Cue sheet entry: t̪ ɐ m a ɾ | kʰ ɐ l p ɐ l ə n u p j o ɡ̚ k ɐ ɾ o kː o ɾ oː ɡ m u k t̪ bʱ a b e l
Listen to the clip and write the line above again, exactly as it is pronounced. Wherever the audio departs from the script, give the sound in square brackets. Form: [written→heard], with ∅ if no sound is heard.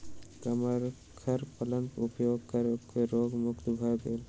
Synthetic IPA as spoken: t̪ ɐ m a ɾ | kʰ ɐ [l→ɾ] p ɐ l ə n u p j o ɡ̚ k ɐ ɾ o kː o ɾ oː ɡ m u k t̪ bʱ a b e l